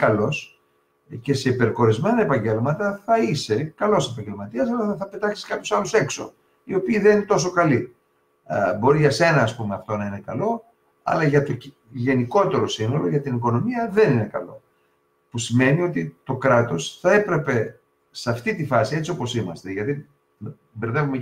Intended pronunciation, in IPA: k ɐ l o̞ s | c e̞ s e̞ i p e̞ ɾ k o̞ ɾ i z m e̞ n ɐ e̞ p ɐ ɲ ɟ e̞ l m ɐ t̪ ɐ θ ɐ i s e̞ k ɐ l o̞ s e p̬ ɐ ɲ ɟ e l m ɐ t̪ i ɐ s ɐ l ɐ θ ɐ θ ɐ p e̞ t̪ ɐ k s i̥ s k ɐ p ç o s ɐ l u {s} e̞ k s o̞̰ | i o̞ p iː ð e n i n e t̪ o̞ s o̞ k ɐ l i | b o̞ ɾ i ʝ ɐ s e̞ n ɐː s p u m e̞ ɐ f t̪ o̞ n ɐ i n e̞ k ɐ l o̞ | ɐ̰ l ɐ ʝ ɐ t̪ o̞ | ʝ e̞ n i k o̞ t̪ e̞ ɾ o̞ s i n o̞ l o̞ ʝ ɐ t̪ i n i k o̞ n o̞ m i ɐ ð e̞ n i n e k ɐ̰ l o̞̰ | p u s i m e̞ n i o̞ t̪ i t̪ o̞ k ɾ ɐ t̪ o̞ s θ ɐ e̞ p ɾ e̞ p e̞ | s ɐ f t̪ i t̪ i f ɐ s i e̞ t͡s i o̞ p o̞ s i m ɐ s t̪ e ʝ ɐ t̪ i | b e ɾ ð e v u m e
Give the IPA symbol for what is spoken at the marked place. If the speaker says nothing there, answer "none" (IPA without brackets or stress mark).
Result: s